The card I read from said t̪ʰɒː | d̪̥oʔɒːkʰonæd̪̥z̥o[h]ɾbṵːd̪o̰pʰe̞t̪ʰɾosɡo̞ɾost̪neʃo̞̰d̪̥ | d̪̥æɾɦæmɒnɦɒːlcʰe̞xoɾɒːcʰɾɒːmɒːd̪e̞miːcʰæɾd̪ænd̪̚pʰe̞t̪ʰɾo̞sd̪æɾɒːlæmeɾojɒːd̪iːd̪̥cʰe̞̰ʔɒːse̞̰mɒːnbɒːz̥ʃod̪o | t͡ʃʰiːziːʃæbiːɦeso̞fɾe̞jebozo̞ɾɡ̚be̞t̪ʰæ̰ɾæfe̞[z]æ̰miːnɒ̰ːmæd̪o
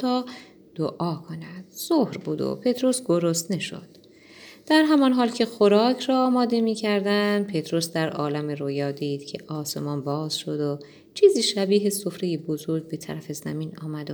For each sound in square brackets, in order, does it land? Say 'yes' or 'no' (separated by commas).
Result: yes, yes